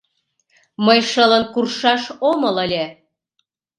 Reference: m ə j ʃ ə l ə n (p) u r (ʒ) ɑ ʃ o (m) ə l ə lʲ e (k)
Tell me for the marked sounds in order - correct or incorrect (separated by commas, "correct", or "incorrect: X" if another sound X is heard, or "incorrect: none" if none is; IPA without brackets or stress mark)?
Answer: incorrect: k, incorrect: ʃ, correct, incorrect: none